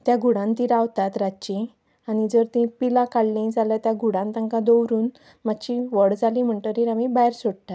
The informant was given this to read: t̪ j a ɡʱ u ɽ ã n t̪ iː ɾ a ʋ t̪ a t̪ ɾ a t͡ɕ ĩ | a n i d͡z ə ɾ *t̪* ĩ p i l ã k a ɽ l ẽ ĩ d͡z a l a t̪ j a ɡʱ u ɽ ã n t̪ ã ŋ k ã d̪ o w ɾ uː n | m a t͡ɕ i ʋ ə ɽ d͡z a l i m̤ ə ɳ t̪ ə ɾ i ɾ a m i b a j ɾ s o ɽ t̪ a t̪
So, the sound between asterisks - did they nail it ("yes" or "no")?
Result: yes